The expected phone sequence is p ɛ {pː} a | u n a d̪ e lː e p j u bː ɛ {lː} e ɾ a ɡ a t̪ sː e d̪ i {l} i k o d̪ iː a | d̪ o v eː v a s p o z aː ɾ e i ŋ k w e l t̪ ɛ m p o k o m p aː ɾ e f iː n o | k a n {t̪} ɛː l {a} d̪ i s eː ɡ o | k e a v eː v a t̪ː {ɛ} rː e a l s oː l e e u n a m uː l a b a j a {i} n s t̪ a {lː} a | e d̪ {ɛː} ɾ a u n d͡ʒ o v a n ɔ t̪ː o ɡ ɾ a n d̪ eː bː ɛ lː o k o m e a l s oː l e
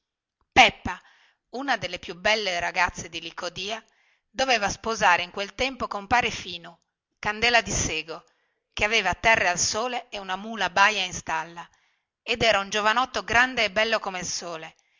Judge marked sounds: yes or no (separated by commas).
yes, yes, yes, no, yes, yes, yes, yes, yes